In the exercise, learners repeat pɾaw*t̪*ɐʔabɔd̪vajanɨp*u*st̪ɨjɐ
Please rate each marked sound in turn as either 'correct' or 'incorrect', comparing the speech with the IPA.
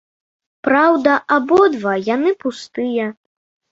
incorrect: d̪, correct

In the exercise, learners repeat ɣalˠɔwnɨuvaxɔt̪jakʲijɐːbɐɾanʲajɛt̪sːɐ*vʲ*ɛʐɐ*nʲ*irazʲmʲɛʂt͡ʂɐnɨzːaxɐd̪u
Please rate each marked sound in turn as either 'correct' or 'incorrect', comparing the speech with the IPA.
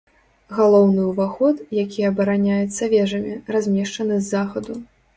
correct, incorrect: mʲ

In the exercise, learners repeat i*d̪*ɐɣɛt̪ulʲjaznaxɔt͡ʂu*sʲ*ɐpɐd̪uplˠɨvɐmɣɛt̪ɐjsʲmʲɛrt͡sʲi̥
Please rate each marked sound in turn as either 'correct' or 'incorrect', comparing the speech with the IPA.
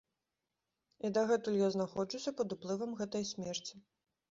correct, correct

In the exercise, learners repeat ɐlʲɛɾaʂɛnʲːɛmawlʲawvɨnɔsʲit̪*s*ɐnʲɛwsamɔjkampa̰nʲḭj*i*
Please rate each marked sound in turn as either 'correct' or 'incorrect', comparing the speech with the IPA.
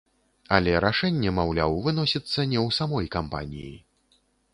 incorrect: sː, correct

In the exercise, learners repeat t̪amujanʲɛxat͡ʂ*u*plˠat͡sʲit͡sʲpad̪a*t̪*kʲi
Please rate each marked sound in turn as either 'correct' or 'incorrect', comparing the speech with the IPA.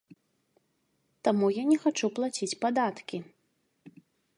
correct, correct

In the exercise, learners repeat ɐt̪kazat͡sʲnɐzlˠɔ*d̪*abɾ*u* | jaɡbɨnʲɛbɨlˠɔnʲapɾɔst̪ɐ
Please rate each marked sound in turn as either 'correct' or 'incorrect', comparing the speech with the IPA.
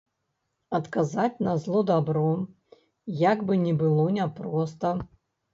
correct, incorrect: ɔ

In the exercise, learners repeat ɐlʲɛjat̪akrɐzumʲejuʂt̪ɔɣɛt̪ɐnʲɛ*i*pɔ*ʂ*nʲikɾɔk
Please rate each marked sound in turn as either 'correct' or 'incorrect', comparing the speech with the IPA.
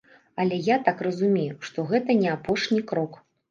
incorrect: a, correct

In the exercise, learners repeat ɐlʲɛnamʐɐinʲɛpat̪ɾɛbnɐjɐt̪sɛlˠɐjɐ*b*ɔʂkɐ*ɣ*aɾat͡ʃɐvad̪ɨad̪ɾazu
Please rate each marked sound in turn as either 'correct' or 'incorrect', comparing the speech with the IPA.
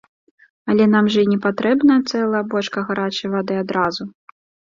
correct, correct

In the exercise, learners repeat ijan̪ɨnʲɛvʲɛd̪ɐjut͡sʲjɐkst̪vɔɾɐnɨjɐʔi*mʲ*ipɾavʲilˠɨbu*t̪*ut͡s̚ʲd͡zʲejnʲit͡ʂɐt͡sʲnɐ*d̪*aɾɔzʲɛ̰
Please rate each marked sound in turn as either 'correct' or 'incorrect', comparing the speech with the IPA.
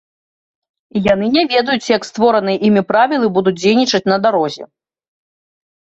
correct, incorrect: d̪, correct

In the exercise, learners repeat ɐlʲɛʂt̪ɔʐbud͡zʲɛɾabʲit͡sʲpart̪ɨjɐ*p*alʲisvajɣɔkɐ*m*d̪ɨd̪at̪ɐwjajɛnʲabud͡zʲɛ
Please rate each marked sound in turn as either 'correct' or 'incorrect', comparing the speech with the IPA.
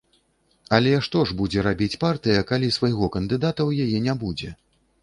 incorrect: k, incorrect: n

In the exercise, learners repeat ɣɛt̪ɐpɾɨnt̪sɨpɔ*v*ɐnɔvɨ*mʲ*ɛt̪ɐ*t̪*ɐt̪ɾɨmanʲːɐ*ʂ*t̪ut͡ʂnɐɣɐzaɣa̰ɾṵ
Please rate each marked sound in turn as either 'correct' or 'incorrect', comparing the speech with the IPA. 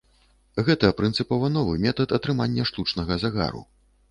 correct, correct, correct, correct

